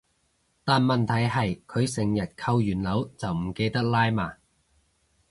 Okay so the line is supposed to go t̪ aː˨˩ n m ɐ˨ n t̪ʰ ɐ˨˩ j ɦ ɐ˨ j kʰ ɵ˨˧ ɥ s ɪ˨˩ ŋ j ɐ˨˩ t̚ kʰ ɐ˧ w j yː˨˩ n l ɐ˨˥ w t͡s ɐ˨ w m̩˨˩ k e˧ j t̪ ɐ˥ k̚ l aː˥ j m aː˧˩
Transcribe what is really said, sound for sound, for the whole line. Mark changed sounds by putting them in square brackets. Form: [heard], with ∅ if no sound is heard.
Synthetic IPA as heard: t̪ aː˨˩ n m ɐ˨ n t̪ʰ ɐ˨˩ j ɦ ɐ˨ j kʰ ɵ˨˧ ɥ s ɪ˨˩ ŋ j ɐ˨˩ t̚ kʰ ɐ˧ w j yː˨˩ n l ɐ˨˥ w t͡s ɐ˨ w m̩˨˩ k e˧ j t̪ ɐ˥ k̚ l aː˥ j m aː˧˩